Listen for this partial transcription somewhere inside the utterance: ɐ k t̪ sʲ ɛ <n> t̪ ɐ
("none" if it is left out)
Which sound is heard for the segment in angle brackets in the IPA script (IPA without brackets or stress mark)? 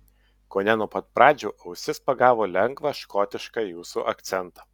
n